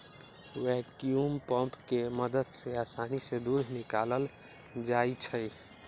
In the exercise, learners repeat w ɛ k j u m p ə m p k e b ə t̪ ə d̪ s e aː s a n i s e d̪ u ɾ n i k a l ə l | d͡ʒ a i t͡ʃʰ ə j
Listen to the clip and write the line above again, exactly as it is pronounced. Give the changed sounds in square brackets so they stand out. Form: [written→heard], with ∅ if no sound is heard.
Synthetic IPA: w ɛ k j u m p ə m p k e [b→m] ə [t̪→d̪] ə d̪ s e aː s a n i s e d̪ u ɾ n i k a l ə l | d͡ʒ a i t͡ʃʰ ə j